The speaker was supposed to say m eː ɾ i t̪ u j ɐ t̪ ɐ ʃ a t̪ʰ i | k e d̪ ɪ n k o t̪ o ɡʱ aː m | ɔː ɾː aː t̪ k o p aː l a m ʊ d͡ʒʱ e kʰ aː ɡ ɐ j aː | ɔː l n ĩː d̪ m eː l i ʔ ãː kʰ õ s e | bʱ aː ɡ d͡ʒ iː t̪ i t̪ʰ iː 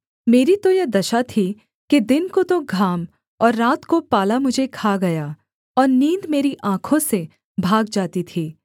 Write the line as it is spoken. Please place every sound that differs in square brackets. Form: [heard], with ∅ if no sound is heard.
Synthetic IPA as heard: m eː ɾ i t̪ [o] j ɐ [d̪] ɐ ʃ a t̪ʰ i | k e d̪ ɪ n k o t̪ o ɡʱ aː m | ɔː ɾː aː t̪ k o p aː l a m ʊ d͡ʒʱ e kʰ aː ɡ ɐ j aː | ɔː [ɾ] n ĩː d̪ m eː [ɾ] i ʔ ãː kʰ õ s e | bʱ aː ɡ d͡ʒ [aː] t̪ i t̪ʰ iː